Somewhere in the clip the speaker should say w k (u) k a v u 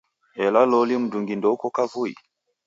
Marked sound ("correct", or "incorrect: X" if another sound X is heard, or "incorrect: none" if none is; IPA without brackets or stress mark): incorrect: ɔ